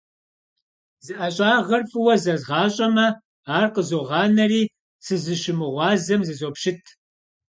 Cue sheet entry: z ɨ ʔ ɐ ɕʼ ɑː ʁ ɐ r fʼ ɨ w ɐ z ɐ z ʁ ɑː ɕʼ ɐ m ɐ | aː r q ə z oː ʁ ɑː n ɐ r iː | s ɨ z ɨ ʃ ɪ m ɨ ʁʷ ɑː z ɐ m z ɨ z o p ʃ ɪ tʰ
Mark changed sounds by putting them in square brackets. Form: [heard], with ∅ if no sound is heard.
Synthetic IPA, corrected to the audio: z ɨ ʔ ɐ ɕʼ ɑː ʁ ɐ r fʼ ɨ w ɐ z ɐ z ʁ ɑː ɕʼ ɐ m ɐ | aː r q ə z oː ʁ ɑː n ɐ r iː | s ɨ z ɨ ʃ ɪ m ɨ ʁʷ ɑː z ɐ m z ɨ z o p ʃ ɪ tʰ

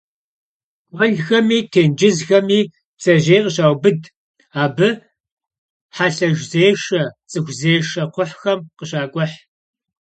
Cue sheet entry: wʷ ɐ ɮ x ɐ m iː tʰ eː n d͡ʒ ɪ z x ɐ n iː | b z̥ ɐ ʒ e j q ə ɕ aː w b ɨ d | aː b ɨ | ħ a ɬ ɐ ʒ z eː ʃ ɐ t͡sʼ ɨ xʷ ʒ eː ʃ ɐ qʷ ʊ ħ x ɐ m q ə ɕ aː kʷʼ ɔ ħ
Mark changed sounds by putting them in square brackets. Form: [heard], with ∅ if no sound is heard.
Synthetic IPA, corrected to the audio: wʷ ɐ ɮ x ɐ m iː tʰ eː n d͡ʒ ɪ z x ɐ [m] iː | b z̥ ɐ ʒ e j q ə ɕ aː w b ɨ d | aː b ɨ | ħ a ɬ ɐ ʒ z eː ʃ ɐ t͡sʼ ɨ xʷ [z] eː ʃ ɐ qʷ ʊ ħ x ɐ m q ə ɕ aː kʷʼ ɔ ħ

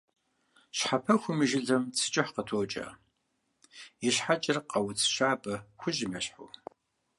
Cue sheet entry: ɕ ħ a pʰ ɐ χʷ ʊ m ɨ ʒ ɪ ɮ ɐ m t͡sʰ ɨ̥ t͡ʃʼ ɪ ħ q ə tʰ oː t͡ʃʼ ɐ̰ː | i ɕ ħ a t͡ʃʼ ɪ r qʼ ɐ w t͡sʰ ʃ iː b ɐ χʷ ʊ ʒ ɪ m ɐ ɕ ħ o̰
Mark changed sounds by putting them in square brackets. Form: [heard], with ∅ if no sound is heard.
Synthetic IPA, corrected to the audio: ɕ ħ a pʰ ɐ [xʷ] ʊ m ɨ ʒ ɪ ɮ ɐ m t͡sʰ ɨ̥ t͡ʃʼ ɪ ħ q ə tʰ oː t͡ʃʼ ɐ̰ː | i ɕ ħ a t͡ʃʼ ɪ r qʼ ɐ w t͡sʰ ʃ [aː] b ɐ [xʷ] ʊ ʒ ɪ m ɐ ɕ ħ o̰

